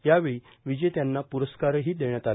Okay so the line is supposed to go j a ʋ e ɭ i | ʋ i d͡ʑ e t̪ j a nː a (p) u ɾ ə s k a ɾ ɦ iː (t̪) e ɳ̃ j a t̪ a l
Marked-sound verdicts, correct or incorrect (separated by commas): correct, incorrect